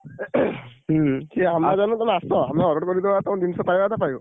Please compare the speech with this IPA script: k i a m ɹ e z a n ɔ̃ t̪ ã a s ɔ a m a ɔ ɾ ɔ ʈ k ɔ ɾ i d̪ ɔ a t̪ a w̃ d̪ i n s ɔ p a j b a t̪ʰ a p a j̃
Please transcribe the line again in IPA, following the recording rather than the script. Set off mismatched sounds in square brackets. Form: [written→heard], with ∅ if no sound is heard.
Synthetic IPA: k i a m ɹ [e→a] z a n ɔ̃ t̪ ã a s ɔ a m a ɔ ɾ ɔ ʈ k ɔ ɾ i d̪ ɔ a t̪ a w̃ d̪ i n s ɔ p a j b a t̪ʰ a p a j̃